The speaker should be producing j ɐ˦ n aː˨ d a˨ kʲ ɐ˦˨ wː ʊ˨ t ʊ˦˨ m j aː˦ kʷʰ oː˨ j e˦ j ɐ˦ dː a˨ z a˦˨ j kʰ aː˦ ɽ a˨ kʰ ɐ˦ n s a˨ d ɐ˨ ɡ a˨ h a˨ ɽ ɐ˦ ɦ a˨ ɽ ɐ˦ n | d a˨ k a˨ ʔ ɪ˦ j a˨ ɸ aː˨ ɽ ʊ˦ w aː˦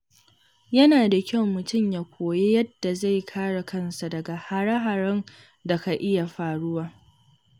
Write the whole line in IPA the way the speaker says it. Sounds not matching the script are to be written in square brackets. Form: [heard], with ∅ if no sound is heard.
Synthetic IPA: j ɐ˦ n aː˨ d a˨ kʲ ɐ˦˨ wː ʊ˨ t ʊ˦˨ m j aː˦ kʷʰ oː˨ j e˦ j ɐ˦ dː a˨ z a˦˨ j kʰ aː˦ ɽ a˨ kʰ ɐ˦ n s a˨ d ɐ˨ ɡ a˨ h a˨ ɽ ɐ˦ ɦ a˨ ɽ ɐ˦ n | d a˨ k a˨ ʔ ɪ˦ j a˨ ɸ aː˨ ɽ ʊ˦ w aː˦